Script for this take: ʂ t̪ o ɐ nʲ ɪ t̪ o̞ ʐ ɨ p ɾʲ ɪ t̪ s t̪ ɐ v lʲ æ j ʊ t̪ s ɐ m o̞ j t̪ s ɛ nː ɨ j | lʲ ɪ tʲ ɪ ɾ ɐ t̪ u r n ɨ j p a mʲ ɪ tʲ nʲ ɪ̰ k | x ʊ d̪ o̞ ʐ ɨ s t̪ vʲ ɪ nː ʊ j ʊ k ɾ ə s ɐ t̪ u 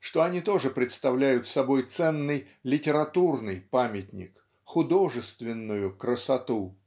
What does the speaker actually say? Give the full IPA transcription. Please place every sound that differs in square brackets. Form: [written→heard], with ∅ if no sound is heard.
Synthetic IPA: ʂ t̪ o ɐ nʲ [ɪ→i] t̪ o̞ ʐ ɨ p ɾʲ ɪ t̪ s t̪ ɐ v lʲ æ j ʊ t̪ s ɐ [m→b] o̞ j t̪ s ɛ nː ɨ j | lʲ ɪ tʲ ɪ ɾ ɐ t̪ u r n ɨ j p a mʲ ɪ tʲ nʲ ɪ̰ k | x ʊ d̪ o̞ ʐ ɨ s t̪ vʲ ɪ nː ʊ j ʊ k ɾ ə s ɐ t̪ u